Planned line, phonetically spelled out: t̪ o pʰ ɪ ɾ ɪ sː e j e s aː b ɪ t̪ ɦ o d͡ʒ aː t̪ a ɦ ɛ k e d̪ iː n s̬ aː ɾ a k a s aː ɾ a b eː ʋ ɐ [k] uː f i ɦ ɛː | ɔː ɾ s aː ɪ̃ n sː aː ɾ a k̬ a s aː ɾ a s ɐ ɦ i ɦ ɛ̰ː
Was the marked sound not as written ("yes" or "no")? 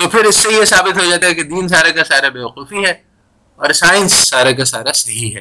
yes